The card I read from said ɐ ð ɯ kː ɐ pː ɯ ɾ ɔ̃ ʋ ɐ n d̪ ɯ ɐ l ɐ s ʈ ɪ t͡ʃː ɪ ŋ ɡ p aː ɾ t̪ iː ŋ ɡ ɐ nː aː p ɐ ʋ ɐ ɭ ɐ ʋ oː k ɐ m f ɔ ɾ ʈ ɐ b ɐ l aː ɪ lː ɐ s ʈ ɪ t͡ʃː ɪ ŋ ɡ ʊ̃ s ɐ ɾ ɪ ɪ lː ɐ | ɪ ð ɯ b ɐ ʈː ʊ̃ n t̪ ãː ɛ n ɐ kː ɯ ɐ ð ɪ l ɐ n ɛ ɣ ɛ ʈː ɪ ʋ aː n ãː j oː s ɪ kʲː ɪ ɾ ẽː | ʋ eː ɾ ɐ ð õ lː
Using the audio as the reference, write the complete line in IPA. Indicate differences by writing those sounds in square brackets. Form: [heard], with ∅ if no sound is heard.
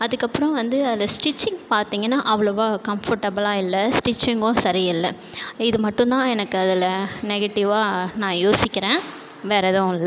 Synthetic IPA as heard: ɐ ð ɯ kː ɐ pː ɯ ɾ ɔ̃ ʋ ɐ n d̪ ɯ ɐ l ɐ s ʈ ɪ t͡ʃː ɪ ŋ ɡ p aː ɾ t̪ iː ŋ ɡ ɐ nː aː [ʔ] ɐ ʋ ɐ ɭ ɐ ʋ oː k ɐ m f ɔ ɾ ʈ ɐ b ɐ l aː ɪ lː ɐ s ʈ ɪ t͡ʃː ɪ ŋ ɡ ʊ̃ s ɐ ɾ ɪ ɪ lː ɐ | ɪ ð ɯ [m] ɐ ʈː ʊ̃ n t̪ ãː ɛ n ɐ kː ɯ ɐ ð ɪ l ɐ n ɛ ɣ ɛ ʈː ɪ ʋ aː n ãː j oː s ɪ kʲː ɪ ɾ ẽː | ʋ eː ɾ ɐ ð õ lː

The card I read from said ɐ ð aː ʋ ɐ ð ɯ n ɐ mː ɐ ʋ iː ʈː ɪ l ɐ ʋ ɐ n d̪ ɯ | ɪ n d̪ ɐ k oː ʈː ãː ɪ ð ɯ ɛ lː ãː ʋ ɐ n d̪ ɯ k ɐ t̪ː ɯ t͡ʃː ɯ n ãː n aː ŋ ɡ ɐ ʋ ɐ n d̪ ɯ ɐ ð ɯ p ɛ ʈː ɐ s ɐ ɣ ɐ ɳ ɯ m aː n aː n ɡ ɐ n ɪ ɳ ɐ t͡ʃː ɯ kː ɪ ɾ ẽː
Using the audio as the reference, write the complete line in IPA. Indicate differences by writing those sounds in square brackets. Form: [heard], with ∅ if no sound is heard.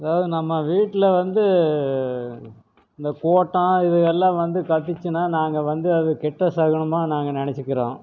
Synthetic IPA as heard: ɐ ð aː ʋ ɐ ð ɯ n ɐ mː ɐ ʋ iː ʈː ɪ l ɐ ʋ ɐ n d̪ ɯ | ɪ n d̪ ɐ k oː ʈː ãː ɪ ð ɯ ɛ lː ãː ʋ ɐ n d̪ ɯ k ɐ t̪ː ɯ t͡ʃː ɯ n [aː] n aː ŋ ɡ ɐ ʋ ɐ n d̪ ɯ ɐ ð ɯ [k] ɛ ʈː ɐ s ɐ ɣ ɐ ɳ ɯ m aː n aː [ŋ] ɡ ɐ n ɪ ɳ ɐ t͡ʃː ɯ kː ɪ ɾ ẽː

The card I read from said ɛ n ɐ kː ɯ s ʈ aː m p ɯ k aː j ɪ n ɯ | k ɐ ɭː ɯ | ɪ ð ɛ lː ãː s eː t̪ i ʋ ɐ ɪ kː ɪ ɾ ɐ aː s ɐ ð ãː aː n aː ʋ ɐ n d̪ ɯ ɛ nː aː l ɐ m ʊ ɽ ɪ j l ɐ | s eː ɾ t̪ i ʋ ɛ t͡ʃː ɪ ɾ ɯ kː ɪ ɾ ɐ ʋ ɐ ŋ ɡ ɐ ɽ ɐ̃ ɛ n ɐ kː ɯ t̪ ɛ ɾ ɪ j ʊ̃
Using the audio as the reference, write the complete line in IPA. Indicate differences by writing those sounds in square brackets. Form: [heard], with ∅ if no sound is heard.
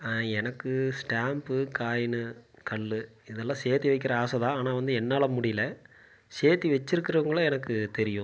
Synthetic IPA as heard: ɛ n ɐ kː ɯ s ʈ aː m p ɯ k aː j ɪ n ɯ | k ɐ ɭː ɯ | ɪ ð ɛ lː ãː s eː t̪ i ʋ ɐ ɪ kː ɪ ɾ ɐ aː s ɐ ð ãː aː n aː ʋ ɐ n d̪ ɯ ɛ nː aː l ɐ m ʊ ɽ ɪ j l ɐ | s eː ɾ t̪ i ʋ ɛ t͡ʃː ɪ ɾ ɯ kː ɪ ɾ ɐ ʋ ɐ ŋ ɡ ɐ [ɭ] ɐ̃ ɛ n ɐ kː ɯ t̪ ɛ ɾ ɪ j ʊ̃

